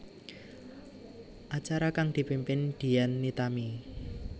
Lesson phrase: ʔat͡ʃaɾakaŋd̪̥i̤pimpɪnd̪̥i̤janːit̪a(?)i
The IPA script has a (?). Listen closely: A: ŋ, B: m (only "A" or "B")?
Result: B